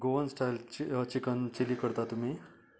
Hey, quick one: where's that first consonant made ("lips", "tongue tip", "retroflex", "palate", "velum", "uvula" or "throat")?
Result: velum